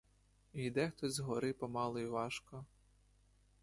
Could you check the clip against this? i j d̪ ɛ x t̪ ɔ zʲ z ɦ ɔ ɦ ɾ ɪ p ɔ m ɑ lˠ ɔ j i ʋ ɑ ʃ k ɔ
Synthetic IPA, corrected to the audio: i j d̪ ɛ x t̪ ɔ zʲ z ɦ ɔ ɾ ɪ p ɔ m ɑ lˠ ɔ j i ʋ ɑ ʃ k ɔ

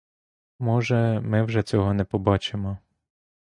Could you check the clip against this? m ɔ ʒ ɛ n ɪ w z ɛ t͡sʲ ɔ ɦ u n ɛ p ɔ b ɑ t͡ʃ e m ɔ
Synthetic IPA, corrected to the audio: m ɔ ʒ ɛ m ɪ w ʒ ɛ t͡sʲ ɔ ɦ ɔ n ɛ p ɔ b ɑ t͡ʃ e m ɔ

